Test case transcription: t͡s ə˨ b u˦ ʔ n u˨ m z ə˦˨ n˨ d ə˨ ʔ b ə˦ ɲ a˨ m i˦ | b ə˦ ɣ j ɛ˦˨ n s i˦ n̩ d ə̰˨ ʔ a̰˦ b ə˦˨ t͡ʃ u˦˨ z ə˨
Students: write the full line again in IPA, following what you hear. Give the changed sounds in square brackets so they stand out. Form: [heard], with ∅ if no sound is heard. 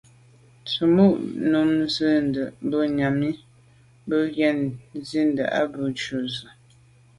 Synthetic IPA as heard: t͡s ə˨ [m] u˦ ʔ n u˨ m z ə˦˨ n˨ d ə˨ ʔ b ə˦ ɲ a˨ m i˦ | b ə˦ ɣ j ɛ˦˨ n [z] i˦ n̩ d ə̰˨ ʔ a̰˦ b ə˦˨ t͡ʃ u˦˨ z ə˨

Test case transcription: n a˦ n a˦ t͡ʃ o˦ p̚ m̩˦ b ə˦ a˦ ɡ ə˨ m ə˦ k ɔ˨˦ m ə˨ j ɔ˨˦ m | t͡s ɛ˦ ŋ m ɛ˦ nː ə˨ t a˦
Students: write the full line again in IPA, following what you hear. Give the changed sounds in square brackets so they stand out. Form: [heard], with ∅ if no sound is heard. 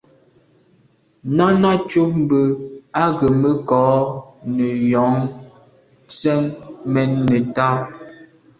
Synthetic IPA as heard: n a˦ n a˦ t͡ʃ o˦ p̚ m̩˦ b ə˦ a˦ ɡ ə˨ m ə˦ k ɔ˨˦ [n] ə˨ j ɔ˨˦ [ŋ] | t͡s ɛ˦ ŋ m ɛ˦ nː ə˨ t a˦

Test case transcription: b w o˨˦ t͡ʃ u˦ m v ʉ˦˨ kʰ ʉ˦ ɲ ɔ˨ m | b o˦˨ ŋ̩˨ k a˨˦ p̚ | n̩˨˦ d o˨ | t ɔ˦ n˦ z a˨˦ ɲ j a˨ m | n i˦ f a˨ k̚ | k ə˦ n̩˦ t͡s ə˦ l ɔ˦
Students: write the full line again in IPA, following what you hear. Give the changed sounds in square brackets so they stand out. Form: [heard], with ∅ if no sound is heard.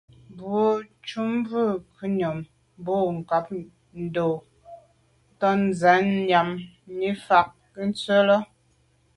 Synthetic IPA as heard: b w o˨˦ t͡ʃ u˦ m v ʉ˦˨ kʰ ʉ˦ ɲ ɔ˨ m | b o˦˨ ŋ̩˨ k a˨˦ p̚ | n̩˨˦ d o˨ | t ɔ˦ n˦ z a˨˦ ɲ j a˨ m | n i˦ f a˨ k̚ | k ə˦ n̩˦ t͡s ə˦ l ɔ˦

